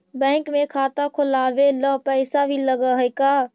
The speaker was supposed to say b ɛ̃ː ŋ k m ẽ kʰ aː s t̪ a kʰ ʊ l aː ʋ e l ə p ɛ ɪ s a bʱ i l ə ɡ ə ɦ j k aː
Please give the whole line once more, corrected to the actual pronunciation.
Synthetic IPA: b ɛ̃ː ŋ k m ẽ kʰ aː t̪ a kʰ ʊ l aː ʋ e l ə p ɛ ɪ s a bʱ i l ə ɡ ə ɦ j k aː